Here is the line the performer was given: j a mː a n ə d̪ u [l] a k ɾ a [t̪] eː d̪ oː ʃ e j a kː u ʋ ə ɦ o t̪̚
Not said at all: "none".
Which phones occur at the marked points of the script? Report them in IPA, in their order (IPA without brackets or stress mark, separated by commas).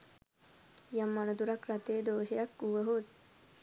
ɾ, t̪